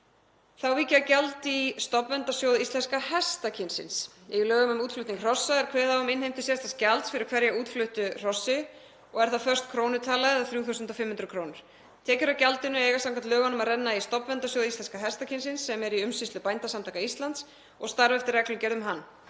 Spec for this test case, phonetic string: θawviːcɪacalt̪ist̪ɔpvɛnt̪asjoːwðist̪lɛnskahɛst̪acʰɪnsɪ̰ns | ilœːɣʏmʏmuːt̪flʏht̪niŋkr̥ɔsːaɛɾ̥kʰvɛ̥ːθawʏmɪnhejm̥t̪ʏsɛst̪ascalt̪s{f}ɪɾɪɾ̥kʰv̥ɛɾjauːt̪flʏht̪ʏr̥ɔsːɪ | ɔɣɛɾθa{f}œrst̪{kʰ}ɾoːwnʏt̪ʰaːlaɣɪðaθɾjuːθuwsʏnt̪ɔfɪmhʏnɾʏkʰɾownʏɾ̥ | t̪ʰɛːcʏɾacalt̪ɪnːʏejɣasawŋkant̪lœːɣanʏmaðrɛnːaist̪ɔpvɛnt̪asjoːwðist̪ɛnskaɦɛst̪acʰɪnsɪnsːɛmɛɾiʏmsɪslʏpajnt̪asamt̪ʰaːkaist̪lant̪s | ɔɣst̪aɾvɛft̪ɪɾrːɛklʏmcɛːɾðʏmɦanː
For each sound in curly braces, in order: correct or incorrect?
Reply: correct, correct, correct

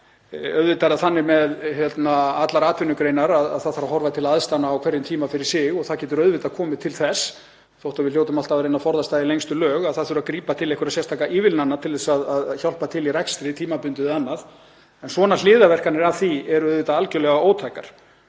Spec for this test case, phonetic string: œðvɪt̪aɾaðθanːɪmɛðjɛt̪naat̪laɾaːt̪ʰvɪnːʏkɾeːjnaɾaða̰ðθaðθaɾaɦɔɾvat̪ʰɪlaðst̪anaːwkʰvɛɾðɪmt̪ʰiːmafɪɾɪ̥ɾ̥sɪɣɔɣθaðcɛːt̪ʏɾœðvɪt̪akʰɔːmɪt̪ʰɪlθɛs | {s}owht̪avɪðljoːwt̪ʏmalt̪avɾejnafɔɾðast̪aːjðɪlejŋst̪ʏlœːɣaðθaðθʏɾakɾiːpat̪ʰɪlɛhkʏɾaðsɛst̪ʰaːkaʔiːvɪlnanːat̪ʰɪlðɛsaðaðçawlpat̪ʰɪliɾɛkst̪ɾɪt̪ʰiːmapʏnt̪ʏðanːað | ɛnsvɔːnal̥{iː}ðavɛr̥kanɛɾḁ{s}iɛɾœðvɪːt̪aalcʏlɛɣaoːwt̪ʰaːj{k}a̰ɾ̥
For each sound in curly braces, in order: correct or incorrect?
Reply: incorrect: θ, incorrect: ɪː, incorrect: θ, correct

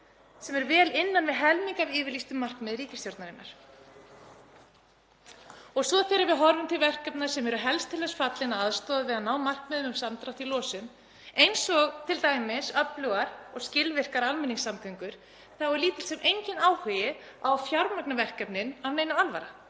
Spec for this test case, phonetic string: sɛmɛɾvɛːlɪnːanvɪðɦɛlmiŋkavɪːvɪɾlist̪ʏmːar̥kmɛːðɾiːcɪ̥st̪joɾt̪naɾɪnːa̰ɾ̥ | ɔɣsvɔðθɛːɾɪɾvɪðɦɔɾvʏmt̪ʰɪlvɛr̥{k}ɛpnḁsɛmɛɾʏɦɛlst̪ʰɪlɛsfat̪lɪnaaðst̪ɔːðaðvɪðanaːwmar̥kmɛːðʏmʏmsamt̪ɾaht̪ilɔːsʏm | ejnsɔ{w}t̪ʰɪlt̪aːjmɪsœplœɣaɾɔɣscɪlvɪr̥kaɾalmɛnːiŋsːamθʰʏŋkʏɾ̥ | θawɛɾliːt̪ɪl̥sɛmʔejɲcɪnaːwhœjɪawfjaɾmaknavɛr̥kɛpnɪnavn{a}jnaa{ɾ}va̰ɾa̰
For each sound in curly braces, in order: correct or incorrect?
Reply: correct, incorrect: ɣ, incorrect: e, incorrect: l

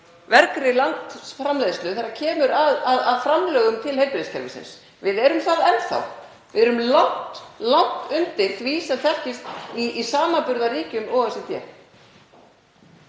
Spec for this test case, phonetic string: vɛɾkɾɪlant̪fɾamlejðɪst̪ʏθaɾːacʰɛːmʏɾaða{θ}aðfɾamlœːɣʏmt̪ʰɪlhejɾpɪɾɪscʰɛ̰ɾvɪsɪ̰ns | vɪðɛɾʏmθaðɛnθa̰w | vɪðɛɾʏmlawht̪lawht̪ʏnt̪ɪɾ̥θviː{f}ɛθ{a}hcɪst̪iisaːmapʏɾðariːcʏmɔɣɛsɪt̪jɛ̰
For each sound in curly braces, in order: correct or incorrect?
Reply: incorrect: ð, incorrect: s, incorrect: ɛ

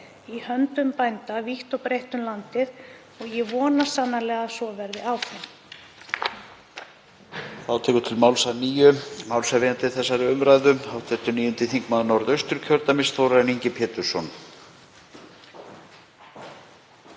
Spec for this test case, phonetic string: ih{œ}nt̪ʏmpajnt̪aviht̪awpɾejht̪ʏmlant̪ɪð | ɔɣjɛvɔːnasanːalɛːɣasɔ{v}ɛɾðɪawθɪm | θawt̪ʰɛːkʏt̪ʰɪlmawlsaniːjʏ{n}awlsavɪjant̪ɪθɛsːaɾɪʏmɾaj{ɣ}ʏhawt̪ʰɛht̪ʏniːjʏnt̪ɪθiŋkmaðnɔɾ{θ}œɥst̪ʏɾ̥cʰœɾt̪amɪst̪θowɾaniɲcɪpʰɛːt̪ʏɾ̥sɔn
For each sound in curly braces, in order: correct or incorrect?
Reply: correct, correct, incorrect: m, incorrect: ð, incorrect: ð

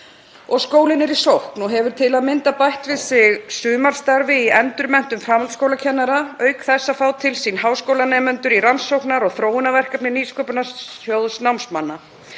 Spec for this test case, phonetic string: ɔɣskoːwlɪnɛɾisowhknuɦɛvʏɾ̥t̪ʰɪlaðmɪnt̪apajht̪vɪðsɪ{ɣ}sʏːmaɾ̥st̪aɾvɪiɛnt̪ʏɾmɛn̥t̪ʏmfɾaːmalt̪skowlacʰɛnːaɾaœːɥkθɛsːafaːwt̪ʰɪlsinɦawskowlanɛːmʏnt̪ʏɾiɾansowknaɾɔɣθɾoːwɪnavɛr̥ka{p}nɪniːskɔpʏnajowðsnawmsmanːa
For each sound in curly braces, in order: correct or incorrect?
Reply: correct, correct

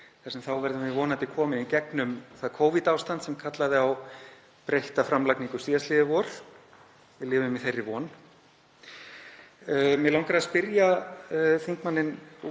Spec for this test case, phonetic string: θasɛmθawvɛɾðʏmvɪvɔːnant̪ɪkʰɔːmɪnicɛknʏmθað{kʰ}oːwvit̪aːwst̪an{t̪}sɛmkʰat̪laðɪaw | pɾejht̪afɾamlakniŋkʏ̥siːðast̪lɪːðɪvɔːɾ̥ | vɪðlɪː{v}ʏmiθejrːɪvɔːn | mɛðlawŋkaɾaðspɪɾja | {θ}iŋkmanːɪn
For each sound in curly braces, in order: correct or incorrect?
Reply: correct, correct, correct, correct

